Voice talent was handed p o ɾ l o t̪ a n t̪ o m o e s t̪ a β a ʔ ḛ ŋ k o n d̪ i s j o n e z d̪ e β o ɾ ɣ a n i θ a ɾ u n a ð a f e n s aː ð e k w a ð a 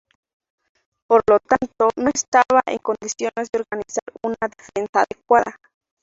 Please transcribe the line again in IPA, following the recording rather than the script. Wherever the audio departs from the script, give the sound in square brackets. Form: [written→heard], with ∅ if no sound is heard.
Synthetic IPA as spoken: p o ɾ l o t̪ a n t̪ o [m→n] o e s t̪ a β a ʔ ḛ ŋ k o n d̪ i s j o n e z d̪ e [β→∅] o ɾ ɣ a n i [θ→s] a ɾ u n a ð [a→e] f e n s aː ð e k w a ð a